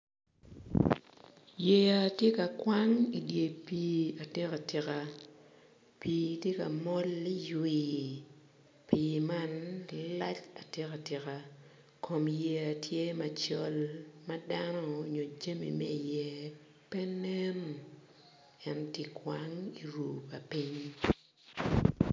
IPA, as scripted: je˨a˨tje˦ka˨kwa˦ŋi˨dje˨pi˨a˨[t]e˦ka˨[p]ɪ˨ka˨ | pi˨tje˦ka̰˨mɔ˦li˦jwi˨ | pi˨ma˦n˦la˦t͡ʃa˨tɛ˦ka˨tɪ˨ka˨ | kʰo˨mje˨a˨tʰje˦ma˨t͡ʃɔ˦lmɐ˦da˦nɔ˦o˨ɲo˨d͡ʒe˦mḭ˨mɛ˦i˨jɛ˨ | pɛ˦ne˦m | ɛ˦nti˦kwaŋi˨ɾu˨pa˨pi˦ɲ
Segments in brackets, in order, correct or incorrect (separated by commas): correct, incorrect